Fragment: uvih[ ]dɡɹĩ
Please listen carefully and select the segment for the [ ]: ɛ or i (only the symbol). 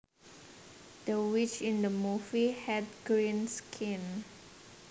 ɛ